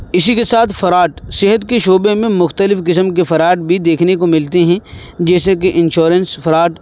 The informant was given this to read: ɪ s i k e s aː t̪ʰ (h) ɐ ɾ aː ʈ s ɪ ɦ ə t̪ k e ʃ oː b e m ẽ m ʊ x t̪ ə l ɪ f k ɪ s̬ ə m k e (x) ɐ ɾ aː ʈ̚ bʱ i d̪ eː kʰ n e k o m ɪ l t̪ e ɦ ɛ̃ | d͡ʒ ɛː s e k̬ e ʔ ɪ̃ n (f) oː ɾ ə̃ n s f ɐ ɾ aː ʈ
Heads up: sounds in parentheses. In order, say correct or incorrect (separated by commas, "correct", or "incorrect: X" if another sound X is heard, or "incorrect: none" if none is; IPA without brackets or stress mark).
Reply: incorrect: f, incorrect: f, incorrect: ʃ